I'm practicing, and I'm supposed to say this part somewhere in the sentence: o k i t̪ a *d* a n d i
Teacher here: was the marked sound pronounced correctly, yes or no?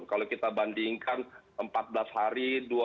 no